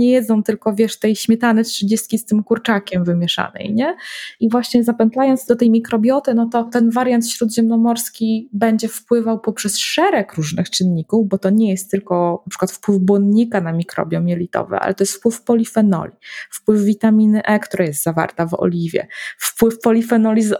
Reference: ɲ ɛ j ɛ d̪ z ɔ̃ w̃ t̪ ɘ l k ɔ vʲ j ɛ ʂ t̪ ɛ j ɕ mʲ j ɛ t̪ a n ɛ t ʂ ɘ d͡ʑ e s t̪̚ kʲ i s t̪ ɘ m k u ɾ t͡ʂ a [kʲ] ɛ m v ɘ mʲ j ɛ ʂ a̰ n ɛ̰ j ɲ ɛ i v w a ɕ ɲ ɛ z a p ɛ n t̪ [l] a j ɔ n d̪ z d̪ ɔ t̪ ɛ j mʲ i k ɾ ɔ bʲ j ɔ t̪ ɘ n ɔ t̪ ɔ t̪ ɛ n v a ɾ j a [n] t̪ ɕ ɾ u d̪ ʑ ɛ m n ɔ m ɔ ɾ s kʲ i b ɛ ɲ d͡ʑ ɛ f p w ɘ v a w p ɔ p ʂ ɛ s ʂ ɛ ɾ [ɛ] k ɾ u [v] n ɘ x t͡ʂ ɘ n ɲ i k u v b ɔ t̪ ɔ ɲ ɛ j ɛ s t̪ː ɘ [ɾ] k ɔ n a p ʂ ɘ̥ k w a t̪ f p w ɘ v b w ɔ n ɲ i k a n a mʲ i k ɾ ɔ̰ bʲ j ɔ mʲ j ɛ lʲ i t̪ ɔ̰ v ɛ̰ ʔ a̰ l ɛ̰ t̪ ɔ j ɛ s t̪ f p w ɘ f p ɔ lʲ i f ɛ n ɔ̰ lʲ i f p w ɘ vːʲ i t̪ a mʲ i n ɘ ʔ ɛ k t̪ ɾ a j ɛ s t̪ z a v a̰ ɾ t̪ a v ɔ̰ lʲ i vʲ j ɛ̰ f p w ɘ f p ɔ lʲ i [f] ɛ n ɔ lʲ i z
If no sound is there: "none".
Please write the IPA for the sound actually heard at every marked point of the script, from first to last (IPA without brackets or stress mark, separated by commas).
kʲ, l, n, ɛ, ʐ, l, f